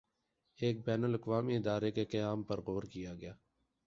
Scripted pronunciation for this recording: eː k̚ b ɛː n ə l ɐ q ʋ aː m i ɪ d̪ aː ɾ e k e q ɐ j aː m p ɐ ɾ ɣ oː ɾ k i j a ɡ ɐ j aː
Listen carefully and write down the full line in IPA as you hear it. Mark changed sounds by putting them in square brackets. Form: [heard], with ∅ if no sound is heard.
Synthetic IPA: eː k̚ b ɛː n ə l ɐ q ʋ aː m i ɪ d̪ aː ɾ e k e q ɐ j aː m p ɐ ɾ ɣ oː ɾ k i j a ɡ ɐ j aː